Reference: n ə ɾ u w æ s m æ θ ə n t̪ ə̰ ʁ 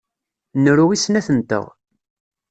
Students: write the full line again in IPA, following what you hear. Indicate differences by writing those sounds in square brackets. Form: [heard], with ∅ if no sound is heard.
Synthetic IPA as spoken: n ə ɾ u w [i] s [n] æ θ ə n t̪ ə̰ ʁ

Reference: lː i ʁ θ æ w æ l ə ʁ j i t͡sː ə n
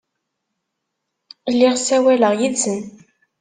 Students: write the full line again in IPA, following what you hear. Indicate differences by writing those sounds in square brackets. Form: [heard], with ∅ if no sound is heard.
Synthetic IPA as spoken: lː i ʁ [s] æ w æ l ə ʁ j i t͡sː ə n

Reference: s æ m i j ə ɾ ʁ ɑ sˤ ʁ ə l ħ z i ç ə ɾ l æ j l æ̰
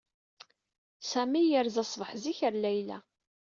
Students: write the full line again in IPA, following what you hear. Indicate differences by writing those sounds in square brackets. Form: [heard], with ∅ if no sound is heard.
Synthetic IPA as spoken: s æ m i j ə ɾ [z] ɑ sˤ [v] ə [∅] ħ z i ç ə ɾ l æ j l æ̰

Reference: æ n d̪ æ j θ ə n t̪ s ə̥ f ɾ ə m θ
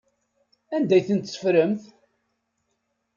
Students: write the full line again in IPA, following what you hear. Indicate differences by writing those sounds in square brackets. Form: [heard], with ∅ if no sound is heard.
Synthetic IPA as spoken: æ n d̪ æ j θ ə n t̪ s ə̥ f ɾ ə m θ

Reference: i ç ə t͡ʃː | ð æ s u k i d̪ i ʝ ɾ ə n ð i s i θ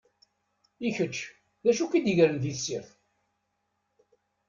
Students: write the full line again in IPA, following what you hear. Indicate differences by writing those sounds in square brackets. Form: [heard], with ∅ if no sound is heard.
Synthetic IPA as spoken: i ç ə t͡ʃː | ð æ [ʃ] u k i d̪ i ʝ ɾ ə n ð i s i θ

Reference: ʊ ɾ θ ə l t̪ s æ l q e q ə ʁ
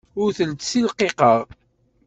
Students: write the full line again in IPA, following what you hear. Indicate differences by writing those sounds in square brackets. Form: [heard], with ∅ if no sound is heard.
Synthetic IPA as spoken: ʊ ɾ θ ə l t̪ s [i] l q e q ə ʁ

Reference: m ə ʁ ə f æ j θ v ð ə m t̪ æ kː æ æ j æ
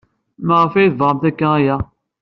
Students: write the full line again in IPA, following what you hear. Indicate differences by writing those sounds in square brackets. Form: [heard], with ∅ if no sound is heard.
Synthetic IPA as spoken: m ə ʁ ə f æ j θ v [ʁ] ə m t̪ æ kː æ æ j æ

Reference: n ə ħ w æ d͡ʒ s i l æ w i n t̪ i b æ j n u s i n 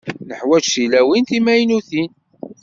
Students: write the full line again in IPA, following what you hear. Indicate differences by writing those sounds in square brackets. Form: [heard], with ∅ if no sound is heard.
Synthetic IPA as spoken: n ə ħ w æ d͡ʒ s i l æ w i n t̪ i [m] æ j n u [θ] i n

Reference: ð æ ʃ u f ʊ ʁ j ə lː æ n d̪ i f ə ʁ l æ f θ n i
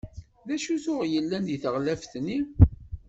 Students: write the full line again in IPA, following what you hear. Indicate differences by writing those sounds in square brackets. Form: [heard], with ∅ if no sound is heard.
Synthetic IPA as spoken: ð æ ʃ u [θ] ʊ ʁ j ə lː æ n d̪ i [θ] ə ʁ l æ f θ n i

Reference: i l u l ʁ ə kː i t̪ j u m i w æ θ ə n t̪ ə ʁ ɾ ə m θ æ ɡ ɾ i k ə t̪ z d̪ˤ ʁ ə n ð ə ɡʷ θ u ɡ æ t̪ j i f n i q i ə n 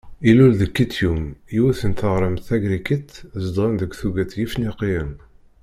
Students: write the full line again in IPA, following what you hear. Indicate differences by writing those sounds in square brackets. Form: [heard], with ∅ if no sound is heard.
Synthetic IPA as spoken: i l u l [ð] ə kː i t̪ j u m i w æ θ ə n t̪ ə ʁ ɾ ə m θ æ ɡ ɾ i k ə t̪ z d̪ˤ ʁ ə n ð ə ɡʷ θ u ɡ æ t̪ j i f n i q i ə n

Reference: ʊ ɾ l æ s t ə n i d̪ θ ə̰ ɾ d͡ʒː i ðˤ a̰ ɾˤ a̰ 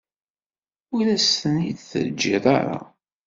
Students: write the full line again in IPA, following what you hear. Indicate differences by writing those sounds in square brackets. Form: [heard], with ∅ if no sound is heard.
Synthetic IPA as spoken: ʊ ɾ l æ s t ə n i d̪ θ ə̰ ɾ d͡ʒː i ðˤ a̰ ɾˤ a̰

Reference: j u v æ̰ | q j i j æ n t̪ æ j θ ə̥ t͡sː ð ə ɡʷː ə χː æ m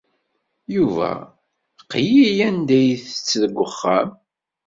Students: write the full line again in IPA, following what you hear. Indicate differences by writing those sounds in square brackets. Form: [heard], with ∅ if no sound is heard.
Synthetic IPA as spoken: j u v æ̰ | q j i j æ n [d̪] æ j θ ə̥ t͡sː ð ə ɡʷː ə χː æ m

